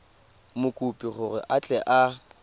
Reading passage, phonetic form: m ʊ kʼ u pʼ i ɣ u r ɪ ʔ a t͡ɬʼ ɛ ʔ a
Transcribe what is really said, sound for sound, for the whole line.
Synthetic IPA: m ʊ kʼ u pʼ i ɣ ʊ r ɪ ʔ a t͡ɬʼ ɛ ʔ a